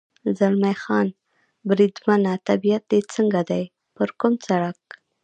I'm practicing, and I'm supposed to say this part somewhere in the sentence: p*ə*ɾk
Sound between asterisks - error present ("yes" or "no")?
no